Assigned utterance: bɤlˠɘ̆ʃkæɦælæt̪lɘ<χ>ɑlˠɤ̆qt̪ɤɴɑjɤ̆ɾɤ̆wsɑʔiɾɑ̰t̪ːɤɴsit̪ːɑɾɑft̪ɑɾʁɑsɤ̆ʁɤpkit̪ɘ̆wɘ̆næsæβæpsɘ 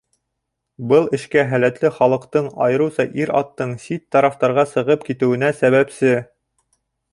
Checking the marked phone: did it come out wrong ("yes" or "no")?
no